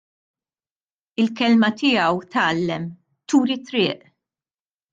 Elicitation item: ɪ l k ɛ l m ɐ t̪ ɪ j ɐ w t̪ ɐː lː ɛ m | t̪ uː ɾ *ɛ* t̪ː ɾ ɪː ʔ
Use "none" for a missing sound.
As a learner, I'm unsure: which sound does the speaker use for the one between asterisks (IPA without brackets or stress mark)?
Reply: i